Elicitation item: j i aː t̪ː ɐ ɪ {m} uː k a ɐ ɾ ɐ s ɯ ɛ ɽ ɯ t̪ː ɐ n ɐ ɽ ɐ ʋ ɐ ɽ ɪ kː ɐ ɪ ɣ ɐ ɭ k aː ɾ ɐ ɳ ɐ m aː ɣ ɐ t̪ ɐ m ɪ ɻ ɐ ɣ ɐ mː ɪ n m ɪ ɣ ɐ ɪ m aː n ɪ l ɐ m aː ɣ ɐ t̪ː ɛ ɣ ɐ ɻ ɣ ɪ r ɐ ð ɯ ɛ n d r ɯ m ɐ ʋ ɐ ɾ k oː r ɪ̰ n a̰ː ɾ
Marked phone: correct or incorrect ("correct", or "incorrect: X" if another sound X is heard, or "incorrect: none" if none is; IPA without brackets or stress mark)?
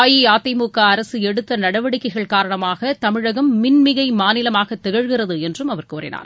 correct